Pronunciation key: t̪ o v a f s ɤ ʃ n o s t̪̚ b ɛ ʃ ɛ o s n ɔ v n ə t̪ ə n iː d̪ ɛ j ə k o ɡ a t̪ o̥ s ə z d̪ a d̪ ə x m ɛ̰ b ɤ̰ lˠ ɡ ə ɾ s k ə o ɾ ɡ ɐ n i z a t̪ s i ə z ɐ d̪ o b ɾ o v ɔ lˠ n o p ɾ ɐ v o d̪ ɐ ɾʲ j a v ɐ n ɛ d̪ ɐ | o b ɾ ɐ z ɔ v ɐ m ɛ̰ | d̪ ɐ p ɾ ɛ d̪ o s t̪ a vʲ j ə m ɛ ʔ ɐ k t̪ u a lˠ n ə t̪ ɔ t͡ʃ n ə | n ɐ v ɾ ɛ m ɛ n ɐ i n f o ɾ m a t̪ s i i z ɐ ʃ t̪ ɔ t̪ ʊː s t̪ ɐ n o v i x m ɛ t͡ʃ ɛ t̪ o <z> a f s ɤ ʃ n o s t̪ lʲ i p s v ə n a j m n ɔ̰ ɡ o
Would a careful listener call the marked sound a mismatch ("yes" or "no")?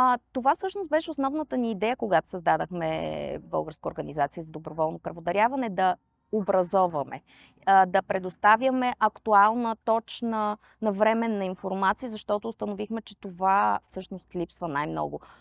yes